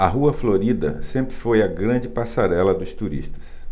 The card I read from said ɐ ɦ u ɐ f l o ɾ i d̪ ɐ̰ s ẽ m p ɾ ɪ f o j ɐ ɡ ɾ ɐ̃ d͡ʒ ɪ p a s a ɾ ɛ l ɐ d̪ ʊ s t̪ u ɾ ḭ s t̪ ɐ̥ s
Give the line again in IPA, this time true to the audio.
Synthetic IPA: ɐ ɦ u ɐ f l o ɾ i d̪ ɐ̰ s ẽ m p ɾ ɪ f o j ɐ ɡ ɾ ɐ̃ d͡ʒ ɪ p a s a ɾ ɛ l ɐ d̪ ʊ s t̪ u ɾ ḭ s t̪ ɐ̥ s